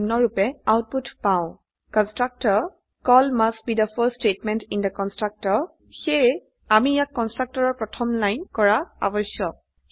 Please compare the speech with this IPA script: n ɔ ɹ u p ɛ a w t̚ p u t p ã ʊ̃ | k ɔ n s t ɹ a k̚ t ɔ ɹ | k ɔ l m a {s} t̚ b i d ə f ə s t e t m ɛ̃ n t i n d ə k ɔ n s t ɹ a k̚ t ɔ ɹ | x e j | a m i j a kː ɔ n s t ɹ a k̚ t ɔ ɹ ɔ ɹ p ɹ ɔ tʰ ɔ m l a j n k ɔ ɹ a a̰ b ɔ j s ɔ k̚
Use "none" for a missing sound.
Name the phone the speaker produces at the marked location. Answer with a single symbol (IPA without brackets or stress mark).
s